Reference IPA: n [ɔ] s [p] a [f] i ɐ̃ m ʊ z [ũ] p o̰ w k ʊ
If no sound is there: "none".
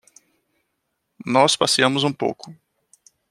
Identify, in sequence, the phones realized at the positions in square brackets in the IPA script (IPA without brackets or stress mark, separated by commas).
ɔ, p, s, ũ